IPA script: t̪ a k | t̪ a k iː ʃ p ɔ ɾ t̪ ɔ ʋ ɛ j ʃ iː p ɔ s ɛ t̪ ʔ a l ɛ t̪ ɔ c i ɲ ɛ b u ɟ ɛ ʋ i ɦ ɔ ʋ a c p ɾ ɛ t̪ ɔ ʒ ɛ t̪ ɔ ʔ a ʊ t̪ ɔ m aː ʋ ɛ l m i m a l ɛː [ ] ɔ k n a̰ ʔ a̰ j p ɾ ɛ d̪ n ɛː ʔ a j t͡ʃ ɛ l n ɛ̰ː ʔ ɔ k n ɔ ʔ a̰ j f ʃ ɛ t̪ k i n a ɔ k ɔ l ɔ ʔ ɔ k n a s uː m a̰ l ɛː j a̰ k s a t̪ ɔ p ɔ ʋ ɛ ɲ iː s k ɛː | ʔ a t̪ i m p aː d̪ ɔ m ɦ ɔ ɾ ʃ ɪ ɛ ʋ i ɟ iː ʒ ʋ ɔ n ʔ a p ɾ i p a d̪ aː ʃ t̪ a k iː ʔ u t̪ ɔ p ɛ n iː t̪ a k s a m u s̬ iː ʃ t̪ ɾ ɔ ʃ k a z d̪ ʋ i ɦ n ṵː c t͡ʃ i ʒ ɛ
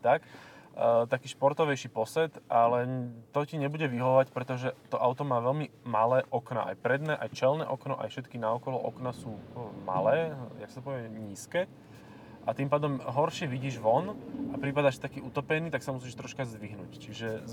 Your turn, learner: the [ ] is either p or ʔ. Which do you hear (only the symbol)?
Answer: ʔ